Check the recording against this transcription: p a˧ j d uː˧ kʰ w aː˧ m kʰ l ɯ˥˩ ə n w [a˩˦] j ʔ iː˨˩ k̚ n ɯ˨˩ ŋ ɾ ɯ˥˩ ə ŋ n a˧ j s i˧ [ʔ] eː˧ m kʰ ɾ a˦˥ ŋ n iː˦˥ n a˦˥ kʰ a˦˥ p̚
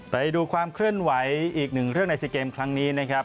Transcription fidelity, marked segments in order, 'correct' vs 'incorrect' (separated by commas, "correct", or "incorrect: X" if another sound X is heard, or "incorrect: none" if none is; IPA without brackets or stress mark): correct, incorrect: k